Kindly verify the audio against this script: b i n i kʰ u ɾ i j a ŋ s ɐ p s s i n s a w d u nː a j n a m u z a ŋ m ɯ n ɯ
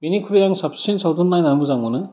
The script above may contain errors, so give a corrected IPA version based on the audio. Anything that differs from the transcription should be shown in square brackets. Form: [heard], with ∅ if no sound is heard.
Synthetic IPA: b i n i kʰ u ɾ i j a ŋ s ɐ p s s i n s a w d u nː a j n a m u z a ŋ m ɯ n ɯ